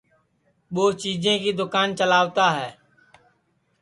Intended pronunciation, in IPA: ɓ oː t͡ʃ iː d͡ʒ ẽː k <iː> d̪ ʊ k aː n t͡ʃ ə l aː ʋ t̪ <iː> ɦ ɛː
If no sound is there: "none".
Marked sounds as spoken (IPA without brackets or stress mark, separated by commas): iː, aː